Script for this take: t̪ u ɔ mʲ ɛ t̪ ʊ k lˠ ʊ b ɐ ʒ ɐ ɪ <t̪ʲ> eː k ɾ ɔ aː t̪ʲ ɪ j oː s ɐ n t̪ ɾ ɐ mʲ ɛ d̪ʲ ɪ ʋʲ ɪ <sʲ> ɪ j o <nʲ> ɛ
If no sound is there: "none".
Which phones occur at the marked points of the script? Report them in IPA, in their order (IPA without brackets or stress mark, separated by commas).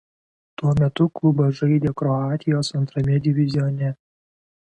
d̪ʲ, zʲ, nʲ